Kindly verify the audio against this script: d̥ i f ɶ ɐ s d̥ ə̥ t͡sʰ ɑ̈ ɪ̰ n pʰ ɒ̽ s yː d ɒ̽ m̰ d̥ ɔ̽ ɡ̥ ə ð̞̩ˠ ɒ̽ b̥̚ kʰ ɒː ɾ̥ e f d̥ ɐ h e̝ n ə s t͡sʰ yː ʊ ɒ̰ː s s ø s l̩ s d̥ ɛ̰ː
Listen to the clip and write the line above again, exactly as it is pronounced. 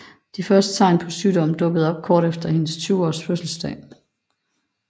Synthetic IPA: d̥ i f ɶ ɐ s d̥ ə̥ t͡sʰ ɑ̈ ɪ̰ n pʰ ɒ̽ s yː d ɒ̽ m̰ d̥ ɔ̽ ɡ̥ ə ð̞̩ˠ ɒ̽ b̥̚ kʰ ɒː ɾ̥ e f d̥ ɐ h e̝ n ə s t͡sʰ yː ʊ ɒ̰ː s f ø s l̩ s d̥ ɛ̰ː